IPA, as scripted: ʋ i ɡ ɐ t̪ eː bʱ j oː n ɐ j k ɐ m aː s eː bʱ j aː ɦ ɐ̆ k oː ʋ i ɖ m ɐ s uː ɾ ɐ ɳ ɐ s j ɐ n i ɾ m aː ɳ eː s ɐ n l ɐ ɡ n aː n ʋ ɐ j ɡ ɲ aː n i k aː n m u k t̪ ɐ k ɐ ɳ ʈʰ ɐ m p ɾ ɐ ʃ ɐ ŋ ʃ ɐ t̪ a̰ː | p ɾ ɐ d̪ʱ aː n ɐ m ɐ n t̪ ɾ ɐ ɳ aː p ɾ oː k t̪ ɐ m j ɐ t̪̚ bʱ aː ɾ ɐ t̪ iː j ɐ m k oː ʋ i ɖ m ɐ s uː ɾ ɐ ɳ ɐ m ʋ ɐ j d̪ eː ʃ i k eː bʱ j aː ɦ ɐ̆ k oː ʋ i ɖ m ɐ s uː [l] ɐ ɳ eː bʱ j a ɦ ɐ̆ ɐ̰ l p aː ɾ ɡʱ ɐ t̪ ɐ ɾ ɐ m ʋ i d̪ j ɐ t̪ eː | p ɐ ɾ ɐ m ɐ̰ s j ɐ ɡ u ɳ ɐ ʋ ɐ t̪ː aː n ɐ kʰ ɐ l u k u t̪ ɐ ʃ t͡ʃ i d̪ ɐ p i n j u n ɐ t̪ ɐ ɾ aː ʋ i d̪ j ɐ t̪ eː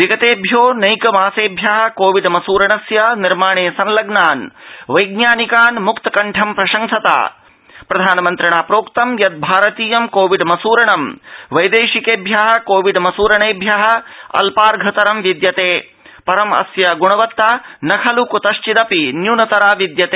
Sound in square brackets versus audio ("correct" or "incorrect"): incorrect